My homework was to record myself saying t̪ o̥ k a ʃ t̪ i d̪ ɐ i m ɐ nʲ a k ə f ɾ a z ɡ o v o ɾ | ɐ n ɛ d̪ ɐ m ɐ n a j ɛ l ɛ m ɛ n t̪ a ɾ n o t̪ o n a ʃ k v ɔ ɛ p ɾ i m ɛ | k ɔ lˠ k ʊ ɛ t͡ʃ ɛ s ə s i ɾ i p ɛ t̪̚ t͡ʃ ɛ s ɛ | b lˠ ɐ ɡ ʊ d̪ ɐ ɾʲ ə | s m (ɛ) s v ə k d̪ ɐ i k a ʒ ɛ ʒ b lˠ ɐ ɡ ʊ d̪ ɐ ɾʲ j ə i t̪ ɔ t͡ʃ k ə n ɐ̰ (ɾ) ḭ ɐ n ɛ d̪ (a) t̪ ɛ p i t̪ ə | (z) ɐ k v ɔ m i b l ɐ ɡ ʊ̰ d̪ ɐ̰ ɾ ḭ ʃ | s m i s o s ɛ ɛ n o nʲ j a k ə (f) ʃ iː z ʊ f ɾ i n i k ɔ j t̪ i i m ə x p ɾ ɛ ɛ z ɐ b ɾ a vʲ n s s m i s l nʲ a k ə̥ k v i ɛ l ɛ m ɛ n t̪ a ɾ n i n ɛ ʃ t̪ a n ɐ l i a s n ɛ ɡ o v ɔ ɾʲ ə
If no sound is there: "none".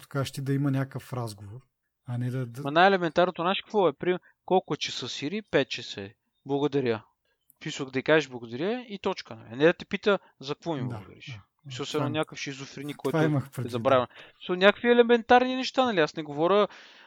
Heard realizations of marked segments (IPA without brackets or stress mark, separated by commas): i, l, ɐ, z, f